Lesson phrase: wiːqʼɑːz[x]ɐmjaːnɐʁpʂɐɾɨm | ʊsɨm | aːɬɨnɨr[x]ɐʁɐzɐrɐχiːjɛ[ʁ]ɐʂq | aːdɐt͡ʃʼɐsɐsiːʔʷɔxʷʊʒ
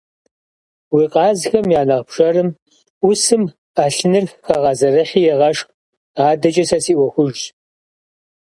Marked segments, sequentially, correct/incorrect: correct, correct, correct

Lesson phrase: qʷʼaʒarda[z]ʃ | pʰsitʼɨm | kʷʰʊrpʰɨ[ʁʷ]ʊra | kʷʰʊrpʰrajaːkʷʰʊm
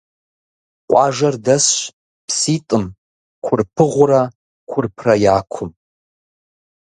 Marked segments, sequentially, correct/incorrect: incorrect: s, correct

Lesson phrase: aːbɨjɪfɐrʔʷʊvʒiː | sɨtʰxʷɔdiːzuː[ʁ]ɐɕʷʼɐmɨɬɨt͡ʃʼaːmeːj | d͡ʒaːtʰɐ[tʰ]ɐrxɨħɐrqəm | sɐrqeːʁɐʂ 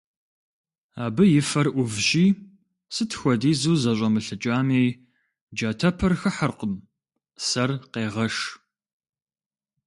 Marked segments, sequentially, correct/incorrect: incorrect: z, incorrect: pʰ

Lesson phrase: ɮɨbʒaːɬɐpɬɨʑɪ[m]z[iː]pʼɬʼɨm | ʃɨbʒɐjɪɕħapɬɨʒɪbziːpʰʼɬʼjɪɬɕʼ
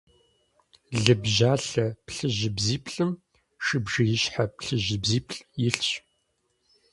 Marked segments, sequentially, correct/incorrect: incorrect: b, correct

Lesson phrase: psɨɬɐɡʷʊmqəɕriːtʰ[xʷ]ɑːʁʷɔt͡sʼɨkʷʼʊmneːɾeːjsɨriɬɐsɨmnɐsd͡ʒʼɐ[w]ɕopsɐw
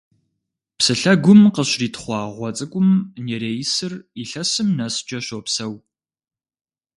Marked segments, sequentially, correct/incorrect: incorrect: χʷ, incorrect: none

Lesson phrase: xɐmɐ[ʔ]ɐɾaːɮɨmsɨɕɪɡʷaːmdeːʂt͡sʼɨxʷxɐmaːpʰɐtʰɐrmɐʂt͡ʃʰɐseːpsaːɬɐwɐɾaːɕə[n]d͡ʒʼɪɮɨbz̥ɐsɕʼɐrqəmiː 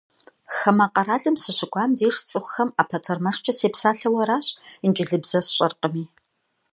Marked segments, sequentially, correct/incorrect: incorrect: q, correct

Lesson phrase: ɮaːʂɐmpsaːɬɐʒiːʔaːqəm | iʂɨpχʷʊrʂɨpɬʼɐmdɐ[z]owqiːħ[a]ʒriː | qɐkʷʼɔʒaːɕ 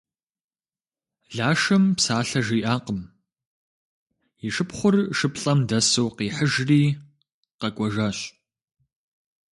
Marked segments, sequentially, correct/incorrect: incorrect: s, incorrect: ə

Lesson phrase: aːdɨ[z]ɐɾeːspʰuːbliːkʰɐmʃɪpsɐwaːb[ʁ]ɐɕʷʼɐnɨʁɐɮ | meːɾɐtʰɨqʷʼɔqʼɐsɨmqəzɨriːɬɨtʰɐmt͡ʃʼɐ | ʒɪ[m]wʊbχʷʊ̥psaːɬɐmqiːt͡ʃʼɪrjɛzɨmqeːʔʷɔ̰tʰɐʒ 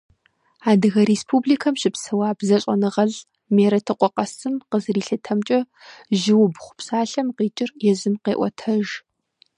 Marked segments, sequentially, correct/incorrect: incorrect: ɣ, incorrect: z, incorrect: none

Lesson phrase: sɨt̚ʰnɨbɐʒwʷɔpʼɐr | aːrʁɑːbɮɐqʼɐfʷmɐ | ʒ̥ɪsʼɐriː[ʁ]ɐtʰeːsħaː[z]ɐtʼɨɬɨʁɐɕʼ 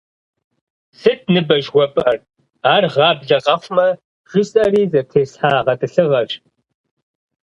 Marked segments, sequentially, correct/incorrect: incorrect: z, incorrect: ʁ

